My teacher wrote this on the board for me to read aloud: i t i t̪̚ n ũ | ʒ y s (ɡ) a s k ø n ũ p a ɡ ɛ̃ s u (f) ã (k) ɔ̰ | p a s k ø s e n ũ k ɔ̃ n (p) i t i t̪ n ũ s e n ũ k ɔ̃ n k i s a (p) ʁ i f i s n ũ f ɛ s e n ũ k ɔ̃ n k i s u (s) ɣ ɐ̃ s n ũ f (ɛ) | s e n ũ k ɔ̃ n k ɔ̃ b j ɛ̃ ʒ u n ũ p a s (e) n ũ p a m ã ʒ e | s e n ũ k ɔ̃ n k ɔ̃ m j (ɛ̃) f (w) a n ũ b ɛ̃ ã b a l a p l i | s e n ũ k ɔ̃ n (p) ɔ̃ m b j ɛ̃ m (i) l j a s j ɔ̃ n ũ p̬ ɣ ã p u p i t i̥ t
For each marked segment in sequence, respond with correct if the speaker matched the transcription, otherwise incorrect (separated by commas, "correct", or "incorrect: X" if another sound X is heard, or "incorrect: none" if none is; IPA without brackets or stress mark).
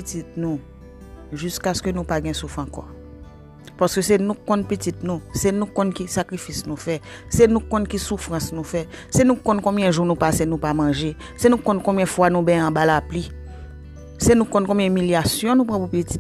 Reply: incorrect: k, correct, correct, correct, incorrect: k, incorrect: f, correct, correct, correct, correct, incorrect: k, correct